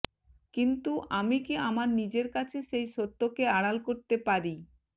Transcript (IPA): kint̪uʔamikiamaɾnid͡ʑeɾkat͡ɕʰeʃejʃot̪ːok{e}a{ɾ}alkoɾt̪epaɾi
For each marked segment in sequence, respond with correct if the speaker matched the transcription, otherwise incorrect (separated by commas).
correct, incorrect